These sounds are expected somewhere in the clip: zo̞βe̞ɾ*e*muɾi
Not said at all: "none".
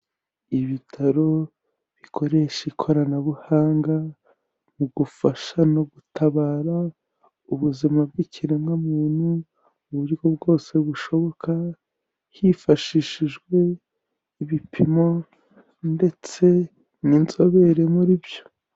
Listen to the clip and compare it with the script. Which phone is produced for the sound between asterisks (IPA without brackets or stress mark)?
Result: e